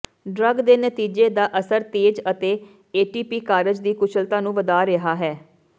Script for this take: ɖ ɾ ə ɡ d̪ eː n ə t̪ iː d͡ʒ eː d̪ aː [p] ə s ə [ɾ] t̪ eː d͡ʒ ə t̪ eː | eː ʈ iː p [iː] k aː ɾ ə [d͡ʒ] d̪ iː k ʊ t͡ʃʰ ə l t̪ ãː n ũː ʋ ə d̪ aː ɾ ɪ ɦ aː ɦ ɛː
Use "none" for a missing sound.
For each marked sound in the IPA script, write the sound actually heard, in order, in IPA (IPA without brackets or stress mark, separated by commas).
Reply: ʔ, ɾ, iː, d͡ʒ